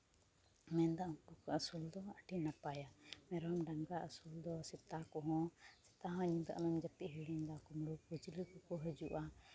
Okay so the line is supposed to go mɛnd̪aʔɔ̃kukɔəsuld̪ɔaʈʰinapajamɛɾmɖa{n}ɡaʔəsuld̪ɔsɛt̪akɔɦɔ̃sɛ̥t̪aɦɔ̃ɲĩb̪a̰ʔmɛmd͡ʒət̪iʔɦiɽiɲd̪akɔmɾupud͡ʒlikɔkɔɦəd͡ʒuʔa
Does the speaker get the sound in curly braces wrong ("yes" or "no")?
yes